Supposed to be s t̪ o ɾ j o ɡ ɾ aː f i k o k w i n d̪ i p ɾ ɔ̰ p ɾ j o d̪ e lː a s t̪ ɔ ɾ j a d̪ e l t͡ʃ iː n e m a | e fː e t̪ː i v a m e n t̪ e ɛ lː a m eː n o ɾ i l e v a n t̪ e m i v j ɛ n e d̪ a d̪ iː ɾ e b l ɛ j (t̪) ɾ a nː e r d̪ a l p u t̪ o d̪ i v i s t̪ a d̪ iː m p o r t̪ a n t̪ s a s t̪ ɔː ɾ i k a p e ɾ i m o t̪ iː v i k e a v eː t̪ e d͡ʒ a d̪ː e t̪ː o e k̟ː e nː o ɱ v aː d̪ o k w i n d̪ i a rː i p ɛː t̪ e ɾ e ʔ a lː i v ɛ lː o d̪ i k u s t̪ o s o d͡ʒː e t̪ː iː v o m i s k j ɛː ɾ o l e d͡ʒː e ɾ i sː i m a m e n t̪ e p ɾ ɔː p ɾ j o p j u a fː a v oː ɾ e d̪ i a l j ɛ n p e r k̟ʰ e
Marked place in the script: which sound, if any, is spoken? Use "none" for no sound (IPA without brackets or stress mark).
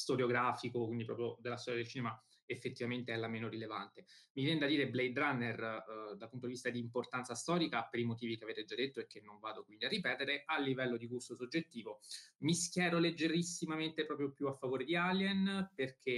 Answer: d̪